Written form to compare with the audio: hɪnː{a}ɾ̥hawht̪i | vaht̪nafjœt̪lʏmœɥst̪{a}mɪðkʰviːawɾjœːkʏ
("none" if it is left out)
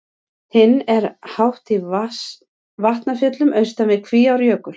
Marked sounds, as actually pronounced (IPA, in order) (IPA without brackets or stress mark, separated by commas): ɛ, a